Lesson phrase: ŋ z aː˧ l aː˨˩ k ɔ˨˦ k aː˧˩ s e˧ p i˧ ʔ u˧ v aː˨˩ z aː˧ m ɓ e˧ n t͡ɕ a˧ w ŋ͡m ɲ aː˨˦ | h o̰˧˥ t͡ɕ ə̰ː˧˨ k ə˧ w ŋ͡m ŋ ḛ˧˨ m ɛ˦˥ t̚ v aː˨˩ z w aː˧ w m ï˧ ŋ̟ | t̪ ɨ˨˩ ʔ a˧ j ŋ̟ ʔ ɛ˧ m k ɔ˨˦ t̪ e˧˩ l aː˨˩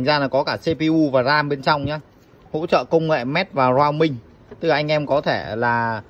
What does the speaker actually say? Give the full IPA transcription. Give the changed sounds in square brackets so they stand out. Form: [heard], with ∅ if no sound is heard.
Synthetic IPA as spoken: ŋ z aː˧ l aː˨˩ k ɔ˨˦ k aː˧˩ s e˧ p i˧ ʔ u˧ v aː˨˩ z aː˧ m ɓ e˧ n t͡ɕ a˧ w ŋ͡m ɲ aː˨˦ | h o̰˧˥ t͡ɕ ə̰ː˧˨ k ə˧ w ŋ͡m ŋ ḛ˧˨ m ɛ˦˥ t̚ v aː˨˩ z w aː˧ w m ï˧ ŋ̟ | t̪ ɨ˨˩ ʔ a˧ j ŋ̟ ʔ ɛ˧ m k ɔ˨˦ [t̪ʰ] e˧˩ l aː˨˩

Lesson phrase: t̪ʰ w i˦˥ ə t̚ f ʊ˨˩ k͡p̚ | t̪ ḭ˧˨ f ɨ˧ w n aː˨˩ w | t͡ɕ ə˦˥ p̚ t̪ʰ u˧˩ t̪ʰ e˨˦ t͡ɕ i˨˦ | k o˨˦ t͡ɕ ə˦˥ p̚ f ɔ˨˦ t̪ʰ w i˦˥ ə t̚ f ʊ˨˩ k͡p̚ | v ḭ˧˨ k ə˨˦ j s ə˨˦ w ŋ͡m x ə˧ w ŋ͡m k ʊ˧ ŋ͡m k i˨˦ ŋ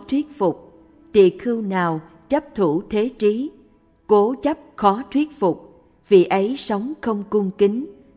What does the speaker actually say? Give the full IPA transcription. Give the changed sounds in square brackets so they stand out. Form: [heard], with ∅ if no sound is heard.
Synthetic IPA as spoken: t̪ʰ w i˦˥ ə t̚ f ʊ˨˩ k͡p̚ | t̪ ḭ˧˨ [x] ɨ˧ w n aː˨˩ w | t͡ɕ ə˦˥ p̚ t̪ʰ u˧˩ t̪ʰ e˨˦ t͡ɕ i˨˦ | k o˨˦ t͡ɕ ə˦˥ p̚ [x] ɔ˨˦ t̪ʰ w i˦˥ ə t̚ f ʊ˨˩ k͡p̚ | v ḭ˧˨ [ʔ] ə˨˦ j s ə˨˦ w ŋ͡m x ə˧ w ŋ͡m k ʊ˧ ŋ͡m k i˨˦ ŋ

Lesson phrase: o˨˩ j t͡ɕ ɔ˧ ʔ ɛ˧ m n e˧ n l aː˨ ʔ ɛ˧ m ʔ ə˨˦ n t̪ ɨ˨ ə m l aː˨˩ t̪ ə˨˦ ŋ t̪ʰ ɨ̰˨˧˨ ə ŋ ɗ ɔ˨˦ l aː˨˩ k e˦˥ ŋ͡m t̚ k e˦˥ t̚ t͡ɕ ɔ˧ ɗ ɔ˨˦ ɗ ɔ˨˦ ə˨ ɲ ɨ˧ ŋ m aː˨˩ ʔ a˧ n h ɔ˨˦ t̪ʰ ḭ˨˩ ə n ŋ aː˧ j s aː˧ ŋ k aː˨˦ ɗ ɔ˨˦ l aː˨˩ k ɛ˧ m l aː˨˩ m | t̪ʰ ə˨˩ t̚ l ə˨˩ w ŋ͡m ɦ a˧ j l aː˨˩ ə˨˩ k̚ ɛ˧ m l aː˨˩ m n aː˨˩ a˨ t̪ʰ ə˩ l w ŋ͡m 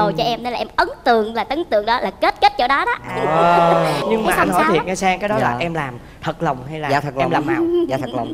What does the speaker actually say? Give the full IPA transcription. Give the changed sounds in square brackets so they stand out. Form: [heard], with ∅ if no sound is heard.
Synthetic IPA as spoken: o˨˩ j t͡ɕ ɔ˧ ʔ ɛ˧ m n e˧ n l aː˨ ʔ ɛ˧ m ʔ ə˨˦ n t̪ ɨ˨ ə [ŋ] l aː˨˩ t̪ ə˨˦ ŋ [t̪] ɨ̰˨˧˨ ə ŋ ɗ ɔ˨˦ l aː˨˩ k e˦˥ [∅] t̚ k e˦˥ t̚ t͡ɕ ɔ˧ ɗ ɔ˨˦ ɗ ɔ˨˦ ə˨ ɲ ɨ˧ ŋ m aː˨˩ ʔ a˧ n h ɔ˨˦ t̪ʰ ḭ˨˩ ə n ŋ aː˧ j s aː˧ ŋ k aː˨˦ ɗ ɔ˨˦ l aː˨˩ [ʔ] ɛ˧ m l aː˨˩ m | t̪ʰ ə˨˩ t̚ l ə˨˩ w ŋ͡m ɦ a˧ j l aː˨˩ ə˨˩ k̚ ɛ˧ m l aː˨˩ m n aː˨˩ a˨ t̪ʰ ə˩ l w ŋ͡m

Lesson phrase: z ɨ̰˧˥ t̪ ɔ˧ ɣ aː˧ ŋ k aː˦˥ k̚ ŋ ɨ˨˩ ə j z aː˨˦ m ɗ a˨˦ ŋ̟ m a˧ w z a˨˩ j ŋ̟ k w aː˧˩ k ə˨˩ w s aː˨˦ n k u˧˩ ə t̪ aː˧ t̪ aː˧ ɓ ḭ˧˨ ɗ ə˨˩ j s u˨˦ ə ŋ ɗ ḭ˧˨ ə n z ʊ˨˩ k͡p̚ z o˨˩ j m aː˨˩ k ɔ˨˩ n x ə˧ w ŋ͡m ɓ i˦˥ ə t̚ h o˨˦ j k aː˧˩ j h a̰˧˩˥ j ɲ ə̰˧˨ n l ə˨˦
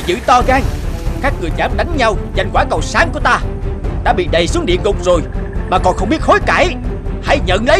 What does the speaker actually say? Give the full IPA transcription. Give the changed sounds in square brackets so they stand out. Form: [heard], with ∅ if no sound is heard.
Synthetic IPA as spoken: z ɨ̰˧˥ t̪ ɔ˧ ɣ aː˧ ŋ k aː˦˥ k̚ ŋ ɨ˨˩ ə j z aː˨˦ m ɗ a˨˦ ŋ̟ [ɲ] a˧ w z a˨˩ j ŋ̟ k w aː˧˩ k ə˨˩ w s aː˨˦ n k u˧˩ ə t̪ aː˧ t̪ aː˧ ɓ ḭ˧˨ ɗ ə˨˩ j s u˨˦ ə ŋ ɗ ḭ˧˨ ə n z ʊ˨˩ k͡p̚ z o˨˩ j m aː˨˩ k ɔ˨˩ n x ə˧ w ŋ͡m ɓ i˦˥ ə t̚ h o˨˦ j k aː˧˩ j h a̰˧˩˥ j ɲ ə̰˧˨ n l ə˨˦

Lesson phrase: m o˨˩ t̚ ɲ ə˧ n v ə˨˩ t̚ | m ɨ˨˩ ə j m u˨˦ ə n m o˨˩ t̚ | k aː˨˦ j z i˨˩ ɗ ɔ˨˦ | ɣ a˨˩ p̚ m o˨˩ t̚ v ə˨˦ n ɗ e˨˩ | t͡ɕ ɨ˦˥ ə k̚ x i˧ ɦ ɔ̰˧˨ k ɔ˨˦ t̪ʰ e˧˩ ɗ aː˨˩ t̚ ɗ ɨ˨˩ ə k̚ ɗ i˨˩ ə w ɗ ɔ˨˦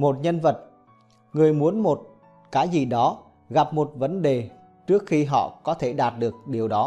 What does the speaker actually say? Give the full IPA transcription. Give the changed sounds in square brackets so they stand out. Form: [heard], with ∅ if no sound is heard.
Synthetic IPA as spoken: m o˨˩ t̚ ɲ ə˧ n v ə˨˩ t̚ | [ŋ] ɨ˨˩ ə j m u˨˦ ə n m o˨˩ t̚ | k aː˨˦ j z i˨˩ ɗ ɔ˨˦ | ɣ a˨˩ p̚ m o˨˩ t̚ v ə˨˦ n ɗ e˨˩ | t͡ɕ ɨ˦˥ ə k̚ x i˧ ɦ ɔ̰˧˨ k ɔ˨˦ t̪ʰ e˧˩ ɗ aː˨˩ t̚ ɗ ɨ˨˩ ə k̚ ɗ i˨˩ ə w ɗ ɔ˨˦

